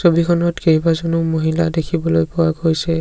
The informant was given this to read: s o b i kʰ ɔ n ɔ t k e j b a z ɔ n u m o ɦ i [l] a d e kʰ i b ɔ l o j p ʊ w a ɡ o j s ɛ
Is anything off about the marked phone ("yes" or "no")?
no